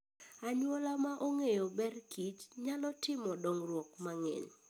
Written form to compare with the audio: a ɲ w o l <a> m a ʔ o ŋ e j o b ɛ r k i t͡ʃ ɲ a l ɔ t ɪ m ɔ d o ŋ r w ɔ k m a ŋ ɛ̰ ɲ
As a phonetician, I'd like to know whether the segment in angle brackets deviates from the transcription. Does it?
no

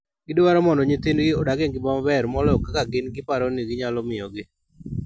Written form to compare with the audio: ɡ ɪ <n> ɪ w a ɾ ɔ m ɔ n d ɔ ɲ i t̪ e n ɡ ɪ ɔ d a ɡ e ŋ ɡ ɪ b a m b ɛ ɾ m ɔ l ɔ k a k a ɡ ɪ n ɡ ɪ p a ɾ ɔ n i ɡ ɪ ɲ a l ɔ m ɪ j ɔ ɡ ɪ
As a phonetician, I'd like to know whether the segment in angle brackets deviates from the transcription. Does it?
yes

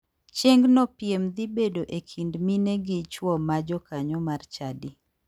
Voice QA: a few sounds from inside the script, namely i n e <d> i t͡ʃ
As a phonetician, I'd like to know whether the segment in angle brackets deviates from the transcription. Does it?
yes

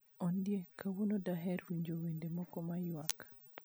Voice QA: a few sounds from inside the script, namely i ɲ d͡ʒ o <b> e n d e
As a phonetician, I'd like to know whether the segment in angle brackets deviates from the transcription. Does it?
yes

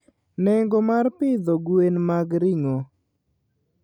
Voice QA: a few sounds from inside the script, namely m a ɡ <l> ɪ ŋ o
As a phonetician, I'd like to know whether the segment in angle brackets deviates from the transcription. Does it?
yes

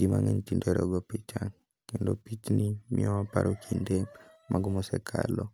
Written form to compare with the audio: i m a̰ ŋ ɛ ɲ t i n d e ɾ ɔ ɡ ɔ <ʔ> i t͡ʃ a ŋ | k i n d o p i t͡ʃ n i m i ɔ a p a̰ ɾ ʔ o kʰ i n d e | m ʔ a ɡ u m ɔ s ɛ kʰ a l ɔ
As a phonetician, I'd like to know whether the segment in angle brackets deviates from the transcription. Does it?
yes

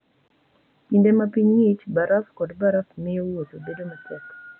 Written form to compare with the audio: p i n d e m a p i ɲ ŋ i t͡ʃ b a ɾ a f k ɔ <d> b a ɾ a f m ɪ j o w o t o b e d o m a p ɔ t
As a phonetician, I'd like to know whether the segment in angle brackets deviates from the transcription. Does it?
no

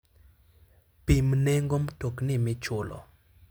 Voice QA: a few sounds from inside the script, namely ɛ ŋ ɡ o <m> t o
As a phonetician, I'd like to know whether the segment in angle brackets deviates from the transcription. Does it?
no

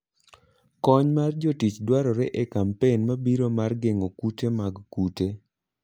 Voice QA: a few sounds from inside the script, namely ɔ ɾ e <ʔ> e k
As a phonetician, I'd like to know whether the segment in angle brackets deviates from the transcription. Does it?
no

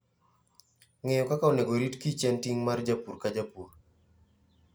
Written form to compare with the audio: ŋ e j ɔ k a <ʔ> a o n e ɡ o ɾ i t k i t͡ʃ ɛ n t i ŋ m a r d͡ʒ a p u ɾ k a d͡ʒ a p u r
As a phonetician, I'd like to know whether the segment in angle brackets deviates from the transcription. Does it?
yes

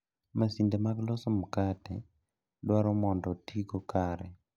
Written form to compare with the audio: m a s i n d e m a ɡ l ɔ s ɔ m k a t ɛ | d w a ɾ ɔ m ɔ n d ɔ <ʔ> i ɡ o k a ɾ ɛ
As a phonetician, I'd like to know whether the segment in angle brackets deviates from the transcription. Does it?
yes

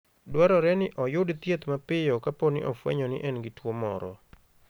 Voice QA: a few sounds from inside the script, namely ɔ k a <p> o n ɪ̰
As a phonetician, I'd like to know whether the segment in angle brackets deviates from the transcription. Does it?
no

